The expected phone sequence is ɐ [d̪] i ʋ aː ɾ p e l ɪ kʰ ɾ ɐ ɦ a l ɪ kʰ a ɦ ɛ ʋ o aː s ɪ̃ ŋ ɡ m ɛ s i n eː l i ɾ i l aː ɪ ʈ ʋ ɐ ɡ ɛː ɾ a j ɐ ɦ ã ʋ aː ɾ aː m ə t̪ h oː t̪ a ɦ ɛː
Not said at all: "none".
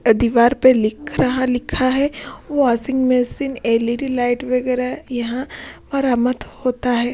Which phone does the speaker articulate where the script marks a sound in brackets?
d̪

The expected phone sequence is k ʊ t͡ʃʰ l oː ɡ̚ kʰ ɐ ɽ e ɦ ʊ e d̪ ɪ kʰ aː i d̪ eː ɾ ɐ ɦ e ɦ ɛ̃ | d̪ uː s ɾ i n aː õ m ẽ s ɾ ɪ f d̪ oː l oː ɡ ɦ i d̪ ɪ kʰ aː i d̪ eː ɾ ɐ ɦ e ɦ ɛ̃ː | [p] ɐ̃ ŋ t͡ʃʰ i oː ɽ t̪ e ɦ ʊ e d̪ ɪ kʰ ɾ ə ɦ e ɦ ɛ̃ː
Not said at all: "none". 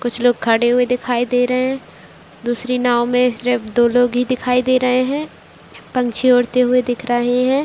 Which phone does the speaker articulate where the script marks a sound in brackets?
p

